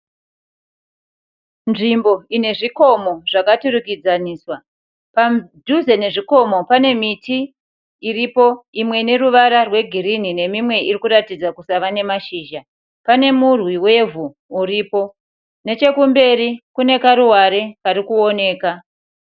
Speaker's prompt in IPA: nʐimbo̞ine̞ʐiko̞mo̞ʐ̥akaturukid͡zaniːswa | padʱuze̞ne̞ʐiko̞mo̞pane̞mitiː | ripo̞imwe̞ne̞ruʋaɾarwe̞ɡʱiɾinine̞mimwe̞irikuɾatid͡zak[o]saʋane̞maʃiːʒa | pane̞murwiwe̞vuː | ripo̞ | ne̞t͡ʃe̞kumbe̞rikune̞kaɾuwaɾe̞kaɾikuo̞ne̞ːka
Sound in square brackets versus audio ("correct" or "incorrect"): incorrect